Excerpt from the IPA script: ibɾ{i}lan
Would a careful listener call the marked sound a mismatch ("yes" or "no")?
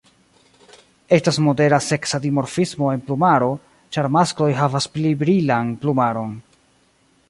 no